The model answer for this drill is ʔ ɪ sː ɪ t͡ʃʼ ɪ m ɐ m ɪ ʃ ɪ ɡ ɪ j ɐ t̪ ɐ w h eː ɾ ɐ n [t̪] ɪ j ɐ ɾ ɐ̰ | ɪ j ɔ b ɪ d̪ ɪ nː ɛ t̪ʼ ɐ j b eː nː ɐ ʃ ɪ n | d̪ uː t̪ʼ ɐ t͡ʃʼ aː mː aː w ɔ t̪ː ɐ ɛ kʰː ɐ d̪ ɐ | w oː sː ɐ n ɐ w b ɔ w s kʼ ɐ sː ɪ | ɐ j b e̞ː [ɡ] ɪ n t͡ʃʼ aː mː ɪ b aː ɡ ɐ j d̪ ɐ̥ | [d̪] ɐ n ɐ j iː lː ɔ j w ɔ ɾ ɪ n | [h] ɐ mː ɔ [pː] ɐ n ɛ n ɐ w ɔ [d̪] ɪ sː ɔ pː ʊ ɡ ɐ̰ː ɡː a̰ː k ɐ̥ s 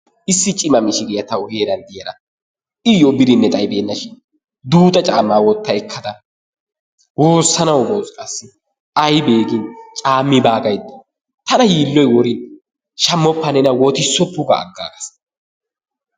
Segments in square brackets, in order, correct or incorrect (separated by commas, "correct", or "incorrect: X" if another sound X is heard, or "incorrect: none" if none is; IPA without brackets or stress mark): incorrect: d̪, correct, incorrect: t̪, incorrect: ʃ, correct, incorrect: t̪